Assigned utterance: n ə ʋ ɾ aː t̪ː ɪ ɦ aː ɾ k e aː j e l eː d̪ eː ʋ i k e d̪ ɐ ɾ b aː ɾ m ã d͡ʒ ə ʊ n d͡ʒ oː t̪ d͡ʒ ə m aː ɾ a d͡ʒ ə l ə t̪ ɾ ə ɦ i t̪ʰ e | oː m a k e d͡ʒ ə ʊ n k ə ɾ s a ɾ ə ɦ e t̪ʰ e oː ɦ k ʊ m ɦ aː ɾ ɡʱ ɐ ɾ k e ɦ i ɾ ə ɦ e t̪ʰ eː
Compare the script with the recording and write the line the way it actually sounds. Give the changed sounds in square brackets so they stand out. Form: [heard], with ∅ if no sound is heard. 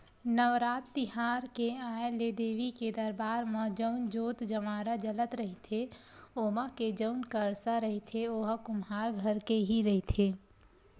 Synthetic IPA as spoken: n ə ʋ ɾ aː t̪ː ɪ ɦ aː ɾ k e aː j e l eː d̪ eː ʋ i k e d̪ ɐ ɾ b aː ɾ m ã d͡ʒ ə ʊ n d͡ʒ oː t̪ d͡ʒ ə m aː ɾ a d͡ʒ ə l ə t̪ ɾ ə ɦ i t̪ʰ e | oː m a k e d͡ʒ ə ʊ n k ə ɾ s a ɾ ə ɦ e t̪ʰ e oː ɦ k ʊ m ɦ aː ɾ ɡʱ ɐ ɾ k e ɦ i ɾ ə ɦ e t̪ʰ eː